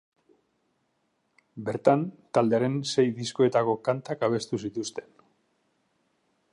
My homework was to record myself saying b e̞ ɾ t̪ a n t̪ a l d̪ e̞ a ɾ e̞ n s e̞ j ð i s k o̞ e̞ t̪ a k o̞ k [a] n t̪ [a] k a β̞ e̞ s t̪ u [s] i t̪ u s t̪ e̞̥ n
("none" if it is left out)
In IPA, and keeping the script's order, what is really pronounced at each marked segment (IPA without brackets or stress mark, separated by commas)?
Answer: a, a, s